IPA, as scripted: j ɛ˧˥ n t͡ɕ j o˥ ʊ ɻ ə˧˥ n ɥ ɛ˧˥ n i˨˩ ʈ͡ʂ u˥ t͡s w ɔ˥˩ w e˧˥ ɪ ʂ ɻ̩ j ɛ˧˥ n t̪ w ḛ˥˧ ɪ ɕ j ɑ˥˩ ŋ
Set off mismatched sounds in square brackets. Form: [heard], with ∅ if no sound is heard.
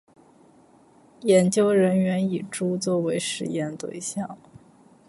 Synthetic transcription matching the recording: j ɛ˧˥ n t͡ɕ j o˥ ʊ ɻ ə˧˥ n ɥ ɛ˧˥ n i˨˩ ʈ͡ʂ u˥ t͡s w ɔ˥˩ w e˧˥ ɪ ʂ ɻ̩ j [ɛ˥˧] n t̪ w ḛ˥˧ ɪ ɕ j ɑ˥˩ ŋ